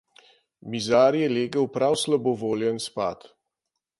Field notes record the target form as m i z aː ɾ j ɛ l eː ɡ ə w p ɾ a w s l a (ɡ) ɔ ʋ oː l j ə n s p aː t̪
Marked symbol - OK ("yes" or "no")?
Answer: no